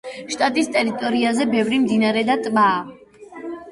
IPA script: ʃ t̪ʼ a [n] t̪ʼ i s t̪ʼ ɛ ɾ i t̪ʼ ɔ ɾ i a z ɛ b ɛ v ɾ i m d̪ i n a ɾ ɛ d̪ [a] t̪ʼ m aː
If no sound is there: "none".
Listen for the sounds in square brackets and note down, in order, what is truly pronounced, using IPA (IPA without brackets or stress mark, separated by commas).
none, a